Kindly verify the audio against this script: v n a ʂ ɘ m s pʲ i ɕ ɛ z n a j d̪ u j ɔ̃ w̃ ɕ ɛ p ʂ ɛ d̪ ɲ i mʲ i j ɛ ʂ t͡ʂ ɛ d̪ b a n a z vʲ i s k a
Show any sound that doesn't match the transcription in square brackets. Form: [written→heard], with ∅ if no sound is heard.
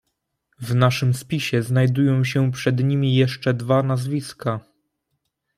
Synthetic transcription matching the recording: v n a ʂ ɘ m s pʲ i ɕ ɛ z n a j d̪ u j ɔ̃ w̃ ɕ ɛ p ʂ ɛ d̪ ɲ i mʲ i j ɛ ʂ t͡ʂ ɛ d̪ [b→v] a n a z vʲ i s k a